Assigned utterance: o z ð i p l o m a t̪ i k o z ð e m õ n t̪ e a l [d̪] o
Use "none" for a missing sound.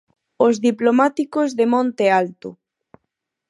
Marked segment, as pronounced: t̪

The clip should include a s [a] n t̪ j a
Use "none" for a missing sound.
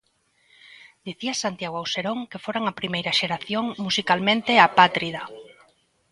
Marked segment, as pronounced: a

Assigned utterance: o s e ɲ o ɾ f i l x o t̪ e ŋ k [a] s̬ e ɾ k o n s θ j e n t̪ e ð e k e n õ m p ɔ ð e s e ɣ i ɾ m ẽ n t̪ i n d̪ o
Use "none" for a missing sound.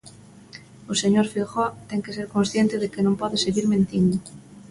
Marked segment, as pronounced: e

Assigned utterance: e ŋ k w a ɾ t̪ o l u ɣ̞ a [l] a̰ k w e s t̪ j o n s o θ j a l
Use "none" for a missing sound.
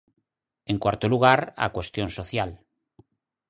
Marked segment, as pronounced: ɾ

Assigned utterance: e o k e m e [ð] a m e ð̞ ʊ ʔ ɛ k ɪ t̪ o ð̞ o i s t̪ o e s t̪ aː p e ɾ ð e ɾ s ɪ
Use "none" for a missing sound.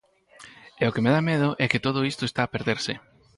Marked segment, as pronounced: ð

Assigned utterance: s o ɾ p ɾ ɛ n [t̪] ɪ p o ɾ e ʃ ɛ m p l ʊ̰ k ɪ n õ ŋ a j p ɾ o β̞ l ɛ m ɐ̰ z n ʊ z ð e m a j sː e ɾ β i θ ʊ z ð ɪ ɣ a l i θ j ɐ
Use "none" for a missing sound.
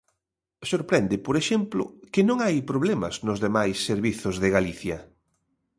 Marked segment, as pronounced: d̪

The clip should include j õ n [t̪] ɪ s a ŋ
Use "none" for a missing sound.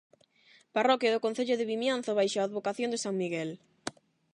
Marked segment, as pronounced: d̪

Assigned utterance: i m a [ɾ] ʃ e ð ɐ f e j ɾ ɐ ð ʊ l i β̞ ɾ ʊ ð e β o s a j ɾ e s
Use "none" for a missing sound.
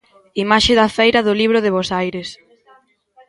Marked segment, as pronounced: none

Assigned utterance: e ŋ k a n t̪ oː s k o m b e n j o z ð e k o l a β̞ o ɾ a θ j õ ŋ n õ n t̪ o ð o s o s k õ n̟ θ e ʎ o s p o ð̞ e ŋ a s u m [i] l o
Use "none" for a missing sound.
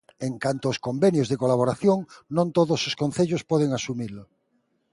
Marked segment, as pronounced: i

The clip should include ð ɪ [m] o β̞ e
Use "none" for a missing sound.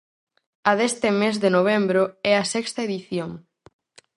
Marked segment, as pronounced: n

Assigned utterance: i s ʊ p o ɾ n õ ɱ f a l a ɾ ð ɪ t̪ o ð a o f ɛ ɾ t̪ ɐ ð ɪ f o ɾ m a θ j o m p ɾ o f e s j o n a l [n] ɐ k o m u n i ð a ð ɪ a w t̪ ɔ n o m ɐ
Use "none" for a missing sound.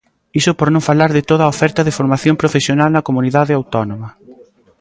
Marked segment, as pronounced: n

